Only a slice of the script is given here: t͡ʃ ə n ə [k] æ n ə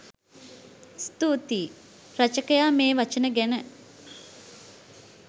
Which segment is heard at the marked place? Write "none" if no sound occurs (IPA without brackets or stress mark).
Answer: ɡ